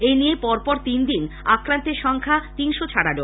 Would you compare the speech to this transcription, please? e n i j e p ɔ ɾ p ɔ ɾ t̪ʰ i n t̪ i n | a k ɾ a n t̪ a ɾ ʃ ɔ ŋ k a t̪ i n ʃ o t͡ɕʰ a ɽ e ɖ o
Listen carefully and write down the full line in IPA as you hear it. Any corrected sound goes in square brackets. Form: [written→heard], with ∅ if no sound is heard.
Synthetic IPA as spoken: e n i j e p ɔ ɾ p ɔ ɾ [t̪ʰ→t̪] i n [t̪→d̪] i n | a k ɾ a n t̪ [a→e] ɾ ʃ ɔ ŋ [k→kʰ] a t̪ i n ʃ o t͡ɕʰ a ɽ [e→a] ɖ o